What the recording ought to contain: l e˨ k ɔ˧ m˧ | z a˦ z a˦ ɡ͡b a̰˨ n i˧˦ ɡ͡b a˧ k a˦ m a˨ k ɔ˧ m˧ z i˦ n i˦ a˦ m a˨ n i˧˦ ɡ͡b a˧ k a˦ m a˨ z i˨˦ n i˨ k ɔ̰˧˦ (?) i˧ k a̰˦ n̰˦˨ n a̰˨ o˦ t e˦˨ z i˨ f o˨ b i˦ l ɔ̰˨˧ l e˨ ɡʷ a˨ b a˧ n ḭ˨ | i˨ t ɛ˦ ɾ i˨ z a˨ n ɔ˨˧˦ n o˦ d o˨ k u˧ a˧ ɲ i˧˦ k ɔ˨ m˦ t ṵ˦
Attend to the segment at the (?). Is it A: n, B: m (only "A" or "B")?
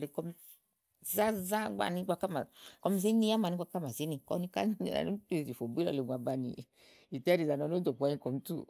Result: A